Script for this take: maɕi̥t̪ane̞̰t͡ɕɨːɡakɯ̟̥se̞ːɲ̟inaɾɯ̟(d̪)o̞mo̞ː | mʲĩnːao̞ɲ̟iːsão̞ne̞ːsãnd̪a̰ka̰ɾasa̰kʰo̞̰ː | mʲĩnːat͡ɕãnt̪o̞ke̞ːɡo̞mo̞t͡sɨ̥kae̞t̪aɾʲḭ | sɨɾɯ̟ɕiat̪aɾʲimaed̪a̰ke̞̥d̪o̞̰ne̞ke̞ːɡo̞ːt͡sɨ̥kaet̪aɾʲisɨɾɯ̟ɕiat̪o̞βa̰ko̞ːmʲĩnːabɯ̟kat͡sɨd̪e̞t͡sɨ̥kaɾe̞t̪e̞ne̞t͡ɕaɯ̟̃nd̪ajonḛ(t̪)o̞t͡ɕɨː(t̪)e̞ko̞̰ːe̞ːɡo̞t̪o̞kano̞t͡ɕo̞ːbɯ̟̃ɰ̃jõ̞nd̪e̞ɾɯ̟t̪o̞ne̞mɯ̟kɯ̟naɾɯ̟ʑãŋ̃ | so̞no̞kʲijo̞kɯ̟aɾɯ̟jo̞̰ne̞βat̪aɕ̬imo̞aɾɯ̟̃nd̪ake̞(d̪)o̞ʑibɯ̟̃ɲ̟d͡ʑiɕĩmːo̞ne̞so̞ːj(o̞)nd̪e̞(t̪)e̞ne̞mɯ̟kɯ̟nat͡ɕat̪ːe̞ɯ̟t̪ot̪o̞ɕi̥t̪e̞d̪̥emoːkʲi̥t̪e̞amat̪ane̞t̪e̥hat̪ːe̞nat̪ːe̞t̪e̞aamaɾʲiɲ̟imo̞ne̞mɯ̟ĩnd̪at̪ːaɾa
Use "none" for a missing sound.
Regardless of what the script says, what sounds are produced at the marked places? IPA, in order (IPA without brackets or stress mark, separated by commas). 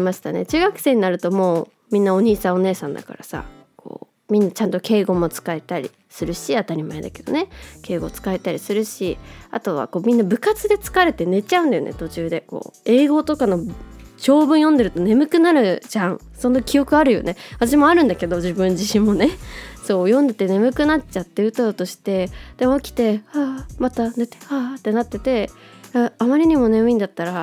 t̪, t̪, d̪, d̪, õ̞, t̪